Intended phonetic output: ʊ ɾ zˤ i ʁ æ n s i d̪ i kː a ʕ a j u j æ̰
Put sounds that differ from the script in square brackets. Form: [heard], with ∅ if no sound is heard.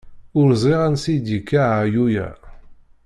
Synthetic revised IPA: ʊ ɾ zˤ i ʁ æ n s i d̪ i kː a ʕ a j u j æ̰